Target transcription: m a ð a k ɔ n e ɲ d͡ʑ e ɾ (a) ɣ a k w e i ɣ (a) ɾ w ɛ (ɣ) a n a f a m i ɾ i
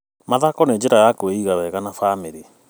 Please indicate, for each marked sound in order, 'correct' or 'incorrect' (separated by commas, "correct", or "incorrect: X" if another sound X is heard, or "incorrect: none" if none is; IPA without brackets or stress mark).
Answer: correct, correct, correct